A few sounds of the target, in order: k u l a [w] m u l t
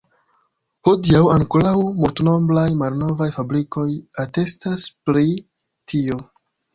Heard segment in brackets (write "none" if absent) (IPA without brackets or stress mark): w